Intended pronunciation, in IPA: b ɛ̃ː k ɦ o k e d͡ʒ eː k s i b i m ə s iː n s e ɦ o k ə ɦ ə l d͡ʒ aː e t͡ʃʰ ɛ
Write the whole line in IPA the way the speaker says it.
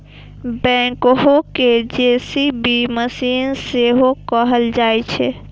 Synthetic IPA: b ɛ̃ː k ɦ o k e d͡ʒ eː s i b i m ə s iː n s e ɦ o k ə ɦ ə l d͡ʒ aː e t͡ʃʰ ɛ